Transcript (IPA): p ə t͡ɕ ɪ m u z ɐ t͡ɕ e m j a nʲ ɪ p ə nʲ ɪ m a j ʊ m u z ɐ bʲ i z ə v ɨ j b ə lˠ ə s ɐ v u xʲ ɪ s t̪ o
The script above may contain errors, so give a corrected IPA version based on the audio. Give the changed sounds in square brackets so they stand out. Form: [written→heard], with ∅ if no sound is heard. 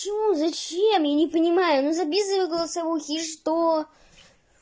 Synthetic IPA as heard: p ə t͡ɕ ɪ m u z ɐ t͡ɕ e m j a nʲ ɪ p ə nʲ ɪ m a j ʊ [m→n] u z ɐ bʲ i z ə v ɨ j [b→ɡ] ə lˠ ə s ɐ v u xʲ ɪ [s→ʂ] t̪ o